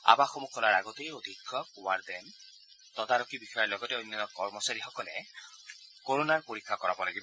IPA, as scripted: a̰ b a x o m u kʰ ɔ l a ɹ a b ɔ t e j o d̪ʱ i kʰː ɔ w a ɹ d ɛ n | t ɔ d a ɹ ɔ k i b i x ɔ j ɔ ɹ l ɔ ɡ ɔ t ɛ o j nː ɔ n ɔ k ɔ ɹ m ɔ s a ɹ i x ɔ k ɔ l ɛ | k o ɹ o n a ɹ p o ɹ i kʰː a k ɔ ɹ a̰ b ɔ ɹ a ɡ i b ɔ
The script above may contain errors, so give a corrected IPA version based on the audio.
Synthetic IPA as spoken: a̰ b a x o m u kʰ ɔ l a ɹ a ɡ ɔ t e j o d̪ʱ i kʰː ɔ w a ɹ d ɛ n | t ɔ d a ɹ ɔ k i b i x ɔ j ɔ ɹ l ɔ ɡ ɔ t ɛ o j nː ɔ n ɔ k ɔ ɹ m ɔ s a ɹ i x ɔ k ɔ l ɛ | k o ɹ o n a ɹ p o ɹ i kʰː a k ɔ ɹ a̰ b ɔ l a ɡ i b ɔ